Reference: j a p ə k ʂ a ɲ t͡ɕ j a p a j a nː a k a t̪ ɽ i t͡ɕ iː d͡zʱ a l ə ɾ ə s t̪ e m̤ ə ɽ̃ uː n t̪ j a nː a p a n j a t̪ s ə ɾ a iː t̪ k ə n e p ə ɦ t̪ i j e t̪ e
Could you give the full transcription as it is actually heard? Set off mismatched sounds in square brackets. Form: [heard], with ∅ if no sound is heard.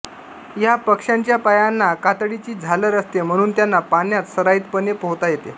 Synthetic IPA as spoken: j a p ə k ʂ a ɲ t͡ɕ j a p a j a nː a k a t̪ ɽ i t͡ɕ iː d͡zʱ a l ə ɾ ə s t̪ e m̤ ə ɽ̃ uː n t̪ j a nː a p a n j a t̪ s ə ɾ a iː t̪ [p] ə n e p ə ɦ t̪ [a] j e t̪ e